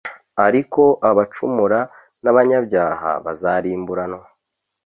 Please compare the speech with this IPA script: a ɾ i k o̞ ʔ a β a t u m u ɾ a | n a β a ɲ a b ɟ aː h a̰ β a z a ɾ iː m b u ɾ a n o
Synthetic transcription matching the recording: a ɾ i k o̞ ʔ a β a t͡ʃ u m u ɾ a | n a β a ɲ a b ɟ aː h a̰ β a z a ɾ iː m b u ɾ a n o